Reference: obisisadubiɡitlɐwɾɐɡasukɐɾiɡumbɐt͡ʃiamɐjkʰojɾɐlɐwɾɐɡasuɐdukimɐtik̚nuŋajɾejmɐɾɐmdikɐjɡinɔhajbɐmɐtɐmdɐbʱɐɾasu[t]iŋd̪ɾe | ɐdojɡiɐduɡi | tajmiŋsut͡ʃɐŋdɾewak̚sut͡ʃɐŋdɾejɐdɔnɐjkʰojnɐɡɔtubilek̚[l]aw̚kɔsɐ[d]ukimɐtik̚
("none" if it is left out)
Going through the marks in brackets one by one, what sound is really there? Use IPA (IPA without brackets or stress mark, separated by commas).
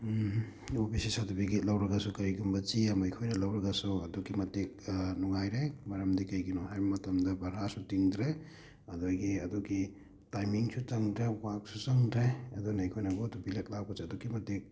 t, l, d